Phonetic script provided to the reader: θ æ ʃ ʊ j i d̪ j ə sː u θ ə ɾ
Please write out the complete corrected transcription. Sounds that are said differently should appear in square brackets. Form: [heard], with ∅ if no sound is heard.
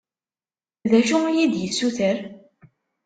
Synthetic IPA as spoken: [ð] æ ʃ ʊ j i d̪ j ə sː u θ ə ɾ

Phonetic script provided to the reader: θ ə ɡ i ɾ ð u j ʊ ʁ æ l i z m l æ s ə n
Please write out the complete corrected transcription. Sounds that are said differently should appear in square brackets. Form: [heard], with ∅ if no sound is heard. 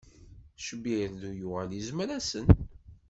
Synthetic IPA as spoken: [ʃ] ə [b] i ɾ ð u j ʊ ʁ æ l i z m [ɾ] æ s ə n

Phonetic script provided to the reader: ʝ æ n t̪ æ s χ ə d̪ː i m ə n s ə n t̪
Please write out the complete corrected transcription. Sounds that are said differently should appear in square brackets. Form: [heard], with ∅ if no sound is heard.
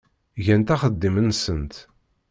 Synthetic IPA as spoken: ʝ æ n t̪ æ [∅] χ ə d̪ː i m ə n s ə n t̪

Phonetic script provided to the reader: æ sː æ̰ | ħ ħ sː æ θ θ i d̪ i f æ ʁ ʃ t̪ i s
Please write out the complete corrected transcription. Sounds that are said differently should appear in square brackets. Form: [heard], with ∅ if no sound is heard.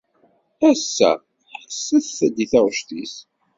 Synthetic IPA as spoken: æ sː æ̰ | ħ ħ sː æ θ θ [æ] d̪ i [θ] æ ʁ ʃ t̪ i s

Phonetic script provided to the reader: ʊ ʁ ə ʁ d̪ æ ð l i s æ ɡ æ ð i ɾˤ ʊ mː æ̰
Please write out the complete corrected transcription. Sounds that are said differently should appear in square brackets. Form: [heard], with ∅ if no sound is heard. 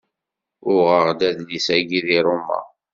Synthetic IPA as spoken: ʊ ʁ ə ʁ d̪ æ ð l i s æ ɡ [i] ð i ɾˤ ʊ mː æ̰

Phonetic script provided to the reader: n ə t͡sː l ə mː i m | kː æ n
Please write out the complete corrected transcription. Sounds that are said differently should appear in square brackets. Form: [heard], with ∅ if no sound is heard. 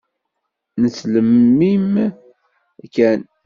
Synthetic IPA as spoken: n ə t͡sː l ə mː i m | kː æ n

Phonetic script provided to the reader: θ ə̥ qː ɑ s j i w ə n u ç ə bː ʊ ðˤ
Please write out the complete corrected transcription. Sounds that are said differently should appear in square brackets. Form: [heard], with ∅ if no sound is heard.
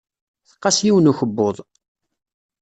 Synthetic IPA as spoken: θ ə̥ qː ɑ s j i w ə n u ç ə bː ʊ ðˤ

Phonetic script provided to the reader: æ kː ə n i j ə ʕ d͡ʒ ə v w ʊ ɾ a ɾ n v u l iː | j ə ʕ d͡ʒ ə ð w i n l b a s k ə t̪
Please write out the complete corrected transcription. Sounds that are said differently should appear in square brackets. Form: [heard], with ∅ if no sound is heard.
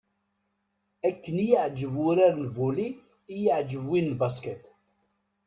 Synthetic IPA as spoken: æ kː ə n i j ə ʕ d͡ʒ ə v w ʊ ɾ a ɾ n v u l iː | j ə ʕ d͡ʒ ə [v] w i n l b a s k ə t̪

